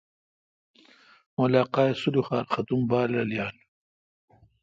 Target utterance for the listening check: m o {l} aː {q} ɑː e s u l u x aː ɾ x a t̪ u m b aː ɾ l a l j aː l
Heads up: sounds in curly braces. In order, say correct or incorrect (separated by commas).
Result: correct, correct